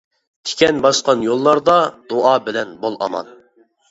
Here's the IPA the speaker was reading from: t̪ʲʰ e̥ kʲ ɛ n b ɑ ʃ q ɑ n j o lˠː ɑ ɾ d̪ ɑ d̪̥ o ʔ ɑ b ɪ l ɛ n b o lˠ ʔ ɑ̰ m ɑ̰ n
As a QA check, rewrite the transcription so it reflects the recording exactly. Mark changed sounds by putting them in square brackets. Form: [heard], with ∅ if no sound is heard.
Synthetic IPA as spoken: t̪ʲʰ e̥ kʲ ɛ n b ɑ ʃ q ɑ n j o lˠː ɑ ɾ d̪ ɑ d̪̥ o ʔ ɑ b ɪ l ɛ n b o lˠ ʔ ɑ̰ m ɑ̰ n